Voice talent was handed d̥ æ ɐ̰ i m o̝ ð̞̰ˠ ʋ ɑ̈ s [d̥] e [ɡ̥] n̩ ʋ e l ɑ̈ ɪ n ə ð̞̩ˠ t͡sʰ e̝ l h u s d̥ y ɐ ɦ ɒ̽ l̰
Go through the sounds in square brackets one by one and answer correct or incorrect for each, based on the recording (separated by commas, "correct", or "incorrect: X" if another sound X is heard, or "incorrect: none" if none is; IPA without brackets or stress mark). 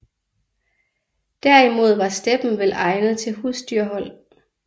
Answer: correct, incorrect: b̥